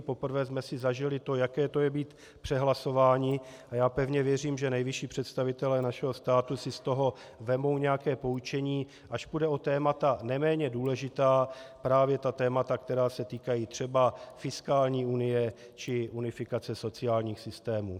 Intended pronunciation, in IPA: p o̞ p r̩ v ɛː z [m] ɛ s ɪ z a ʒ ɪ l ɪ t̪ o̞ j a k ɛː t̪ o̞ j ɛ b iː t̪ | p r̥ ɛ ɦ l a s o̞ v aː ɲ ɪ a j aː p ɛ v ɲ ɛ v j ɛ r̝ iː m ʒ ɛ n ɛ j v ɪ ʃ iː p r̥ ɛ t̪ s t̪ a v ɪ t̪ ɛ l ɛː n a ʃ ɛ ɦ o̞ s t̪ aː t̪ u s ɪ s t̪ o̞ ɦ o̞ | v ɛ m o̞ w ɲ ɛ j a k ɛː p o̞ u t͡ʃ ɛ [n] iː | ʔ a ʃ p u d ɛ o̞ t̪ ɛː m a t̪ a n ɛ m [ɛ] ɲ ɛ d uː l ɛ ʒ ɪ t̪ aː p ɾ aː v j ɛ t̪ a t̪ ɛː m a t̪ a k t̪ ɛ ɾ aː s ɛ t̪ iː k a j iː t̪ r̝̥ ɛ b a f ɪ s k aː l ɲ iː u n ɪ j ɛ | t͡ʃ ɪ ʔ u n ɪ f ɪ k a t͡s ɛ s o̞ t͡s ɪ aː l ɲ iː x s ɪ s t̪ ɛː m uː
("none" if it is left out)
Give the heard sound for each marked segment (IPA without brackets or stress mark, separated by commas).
m, ɲ, ɛː